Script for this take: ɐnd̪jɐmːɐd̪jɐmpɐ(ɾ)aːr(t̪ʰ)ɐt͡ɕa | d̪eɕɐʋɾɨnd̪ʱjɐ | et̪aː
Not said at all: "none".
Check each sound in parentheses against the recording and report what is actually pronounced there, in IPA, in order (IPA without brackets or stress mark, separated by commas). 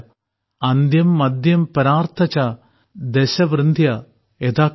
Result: ɾ, t̪ʰ